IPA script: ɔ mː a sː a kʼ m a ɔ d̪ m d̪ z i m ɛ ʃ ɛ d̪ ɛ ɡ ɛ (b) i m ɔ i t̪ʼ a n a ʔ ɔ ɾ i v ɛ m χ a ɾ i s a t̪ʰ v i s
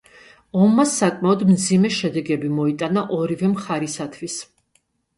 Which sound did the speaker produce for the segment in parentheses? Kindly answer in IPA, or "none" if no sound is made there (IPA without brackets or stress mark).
b